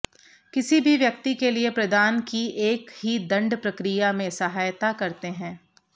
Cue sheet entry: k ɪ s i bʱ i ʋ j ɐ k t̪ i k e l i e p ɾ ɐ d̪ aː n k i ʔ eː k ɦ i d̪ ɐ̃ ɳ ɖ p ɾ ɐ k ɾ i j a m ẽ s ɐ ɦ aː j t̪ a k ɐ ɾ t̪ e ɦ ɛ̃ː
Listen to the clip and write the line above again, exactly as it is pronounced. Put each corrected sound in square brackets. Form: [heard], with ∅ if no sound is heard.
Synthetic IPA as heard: k ɪ s i bʱ i ʋ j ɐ k t̪ i k e l i e p ɾ ɐ d̪ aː n k i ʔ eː k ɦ i d̪ ɐ̃ ɳ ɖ p ɾ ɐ k ɾ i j a m ẽ s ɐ ɦ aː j t̪ a k ɐ ɾ t̪ e ɦ ɛ̃ː